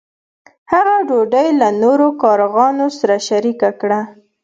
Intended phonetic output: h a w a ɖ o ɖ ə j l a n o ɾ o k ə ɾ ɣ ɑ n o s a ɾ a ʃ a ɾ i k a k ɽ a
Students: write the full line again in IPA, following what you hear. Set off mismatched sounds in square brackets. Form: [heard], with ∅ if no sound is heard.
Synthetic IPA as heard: h a [ɣ] a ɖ o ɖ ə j l a n o ɾ o k [ɑ] ɾ ɣ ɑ n o s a ɾ a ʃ a ɾ i k a k ɽ a